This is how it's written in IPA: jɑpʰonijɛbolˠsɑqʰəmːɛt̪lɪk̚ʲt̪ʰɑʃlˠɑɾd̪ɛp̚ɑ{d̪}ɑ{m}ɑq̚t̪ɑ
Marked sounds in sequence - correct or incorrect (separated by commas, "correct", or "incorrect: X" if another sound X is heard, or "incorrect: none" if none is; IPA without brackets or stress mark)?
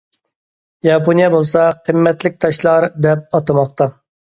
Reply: incorrect: t̪, correct